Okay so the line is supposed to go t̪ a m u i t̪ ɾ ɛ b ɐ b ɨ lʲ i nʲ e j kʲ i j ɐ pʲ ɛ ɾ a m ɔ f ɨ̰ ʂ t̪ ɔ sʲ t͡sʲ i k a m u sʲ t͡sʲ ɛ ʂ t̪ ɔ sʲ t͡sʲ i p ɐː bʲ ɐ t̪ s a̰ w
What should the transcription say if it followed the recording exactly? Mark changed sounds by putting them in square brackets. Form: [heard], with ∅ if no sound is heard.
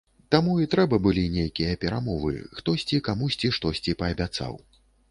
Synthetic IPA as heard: t̪ a m u i t̪ ɾ ɛ b ɐ b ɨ lʲ i nʲ e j kʲ i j ɐ pʲ ɛ ɾ a m ɔ [v] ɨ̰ [x] t̪ ɔ sʲ t͡sʲ i k a m u sʲ t͡sʲ [i] ʂ t̪ ɔ sʲ t͡sʲ i p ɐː bʲ [a] t̪ s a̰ w